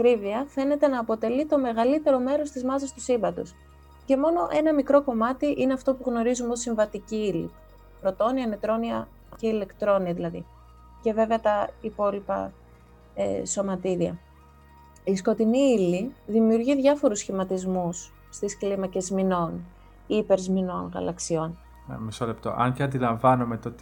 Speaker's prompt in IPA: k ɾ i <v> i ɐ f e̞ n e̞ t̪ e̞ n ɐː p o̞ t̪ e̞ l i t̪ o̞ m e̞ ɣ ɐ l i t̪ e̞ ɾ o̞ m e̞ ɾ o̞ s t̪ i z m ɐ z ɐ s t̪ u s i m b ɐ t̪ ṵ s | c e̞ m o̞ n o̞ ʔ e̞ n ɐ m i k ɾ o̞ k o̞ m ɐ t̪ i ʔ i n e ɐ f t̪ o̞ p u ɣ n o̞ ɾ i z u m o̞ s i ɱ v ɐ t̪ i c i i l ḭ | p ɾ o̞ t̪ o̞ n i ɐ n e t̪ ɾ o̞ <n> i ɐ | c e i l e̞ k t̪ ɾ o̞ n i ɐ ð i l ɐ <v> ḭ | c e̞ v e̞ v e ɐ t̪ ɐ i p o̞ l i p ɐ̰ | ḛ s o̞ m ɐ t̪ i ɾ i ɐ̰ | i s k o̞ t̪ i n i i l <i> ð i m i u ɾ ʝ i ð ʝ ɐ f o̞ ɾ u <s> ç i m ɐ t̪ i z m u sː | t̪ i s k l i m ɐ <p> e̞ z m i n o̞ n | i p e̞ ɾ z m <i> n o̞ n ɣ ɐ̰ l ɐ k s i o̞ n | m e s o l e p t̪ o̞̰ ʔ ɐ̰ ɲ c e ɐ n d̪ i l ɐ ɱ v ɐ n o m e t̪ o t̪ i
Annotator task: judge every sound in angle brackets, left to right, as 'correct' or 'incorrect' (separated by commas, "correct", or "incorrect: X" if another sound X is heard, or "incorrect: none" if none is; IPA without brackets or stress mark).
correct, correct, incorrect: ð, correct, correct, incorrect: c, correct